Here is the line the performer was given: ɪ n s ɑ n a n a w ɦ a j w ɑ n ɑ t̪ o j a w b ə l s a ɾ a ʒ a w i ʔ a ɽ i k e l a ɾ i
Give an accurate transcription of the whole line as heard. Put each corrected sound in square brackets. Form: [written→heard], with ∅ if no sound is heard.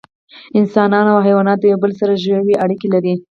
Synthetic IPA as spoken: ɪ n s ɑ n [a→ɑ] n a w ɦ a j w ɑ n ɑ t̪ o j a w b ə l s a ɾ a ʒ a w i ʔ a ɽ i k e l a ɾ i

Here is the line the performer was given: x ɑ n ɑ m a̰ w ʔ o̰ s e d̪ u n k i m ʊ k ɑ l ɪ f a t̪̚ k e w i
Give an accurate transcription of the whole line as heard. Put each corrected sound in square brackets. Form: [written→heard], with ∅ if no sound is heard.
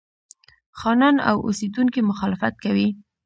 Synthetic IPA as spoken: x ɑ n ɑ [m→n] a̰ w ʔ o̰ s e d̪ u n k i m ʊ [k→x] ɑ l ɪ f a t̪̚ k [e→a] w i

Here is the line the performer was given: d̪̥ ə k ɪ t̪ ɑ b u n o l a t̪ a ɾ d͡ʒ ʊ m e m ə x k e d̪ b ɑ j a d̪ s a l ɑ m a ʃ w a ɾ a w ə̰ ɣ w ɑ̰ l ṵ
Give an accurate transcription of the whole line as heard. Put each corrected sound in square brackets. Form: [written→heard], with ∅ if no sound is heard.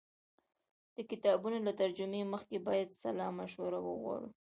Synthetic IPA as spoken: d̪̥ ə k ɪ t̪ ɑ b u n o l a t̪ a ɾ d͡ʒ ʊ m e m ə x k e [d̪→∅] b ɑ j a d̪ s a l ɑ m a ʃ w a ɾ a w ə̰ ɣ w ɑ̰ [l→ɽ] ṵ

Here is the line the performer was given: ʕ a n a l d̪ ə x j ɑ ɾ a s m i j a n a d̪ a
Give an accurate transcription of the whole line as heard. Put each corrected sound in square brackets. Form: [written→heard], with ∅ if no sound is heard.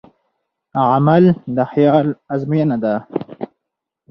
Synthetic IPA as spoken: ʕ a [n→m] a l d̪ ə x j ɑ [ɾ→l] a [s→z] m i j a n a d̪ a

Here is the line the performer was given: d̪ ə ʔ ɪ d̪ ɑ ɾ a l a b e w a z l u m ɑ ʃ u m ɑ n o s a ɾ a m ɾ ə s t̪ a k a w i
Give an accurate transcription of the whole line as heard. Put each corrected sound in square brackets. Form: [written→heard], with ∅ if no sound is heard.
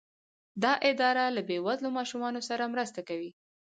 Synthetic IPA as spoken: d̪ [ə→ɑ] ʔ ɪ d̪ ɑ ɾ a l a b e w a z l [u→o] m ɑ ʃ u m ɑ n o s a ɾ a m ɾ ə s t̪ a k a w i

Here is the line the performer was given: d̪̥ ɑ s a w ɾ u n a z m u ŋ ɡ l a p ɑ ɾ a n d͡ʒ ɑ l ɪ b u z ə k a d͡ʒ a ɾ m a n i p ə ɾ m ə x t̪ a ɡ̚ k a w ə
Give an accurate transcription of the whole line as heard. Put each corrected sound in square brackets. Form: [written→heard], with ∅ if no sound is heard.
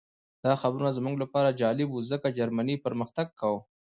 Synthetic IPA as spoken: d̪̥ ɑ [s→x] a [w→b] ɾ u n a z m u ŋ ɡ l a p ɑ ɾ a [n→∅] d͡ʒ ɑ l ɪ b u z ə k a d͡ʒ a ɾ m a n i p ə ɾ m ə x t̪ a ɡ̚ k a w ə

